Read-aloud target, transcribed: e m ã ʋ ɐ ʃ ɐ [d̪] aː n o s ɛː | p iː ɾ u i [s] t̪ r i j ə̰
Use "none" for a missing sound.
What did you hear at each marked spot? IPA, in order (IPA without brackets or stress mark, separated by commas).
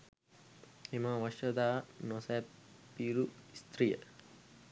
d̪, s